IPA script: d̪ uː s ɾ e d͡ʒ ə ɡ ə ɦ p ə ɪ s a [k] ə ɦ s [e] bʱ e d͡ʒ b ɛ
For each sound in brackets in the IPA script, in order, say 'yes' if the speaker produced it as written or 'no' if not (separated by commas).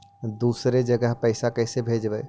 yes, yes